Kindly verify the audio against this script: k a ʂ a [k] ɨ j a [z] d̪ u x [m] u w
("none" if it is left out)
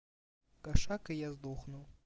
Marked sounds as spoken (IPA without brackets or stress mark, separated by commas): k, z, n